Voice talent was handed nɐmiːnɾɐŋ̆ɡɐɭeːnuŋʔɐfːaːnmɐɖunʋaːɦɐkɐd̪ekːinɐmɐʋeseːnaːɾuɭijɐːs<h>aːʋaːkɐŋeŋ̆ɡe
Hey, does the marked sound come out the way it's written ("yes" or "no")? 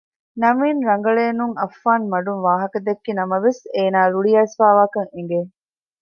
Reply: no